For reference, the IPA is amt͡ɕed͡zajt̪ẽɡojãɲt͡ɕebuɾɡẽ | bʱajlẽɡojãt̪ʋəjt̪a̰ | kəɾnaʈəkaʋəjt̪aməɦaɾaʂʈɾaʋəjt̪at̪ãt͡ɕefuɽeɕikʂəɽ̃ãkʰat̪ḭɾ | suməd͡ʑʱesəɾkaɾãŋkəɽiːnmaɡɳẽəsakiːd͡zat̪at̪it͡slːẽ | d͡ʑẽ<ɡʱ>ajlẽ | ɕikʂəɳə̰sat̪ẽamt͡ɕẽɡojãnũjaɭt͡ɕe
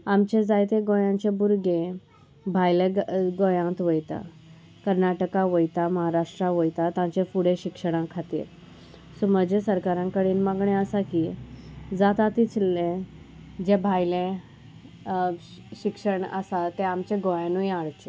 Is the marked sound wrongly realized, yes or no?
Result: yes